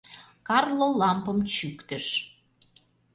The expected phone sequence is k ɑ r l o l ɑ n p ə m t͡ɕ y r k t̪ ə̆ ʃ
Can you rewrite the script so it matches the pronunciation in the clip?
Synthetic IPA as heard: k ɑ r l o l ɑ m p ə m t͡ɕ y k t̪ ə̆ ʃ